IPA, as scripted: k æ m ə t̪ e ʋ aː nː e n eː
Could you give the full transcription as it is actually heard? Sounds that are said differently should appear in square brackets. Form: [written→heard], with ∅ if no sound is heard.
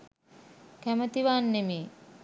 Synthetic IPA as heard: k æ m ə t̪ [e→i] ʋ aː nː e [n→m] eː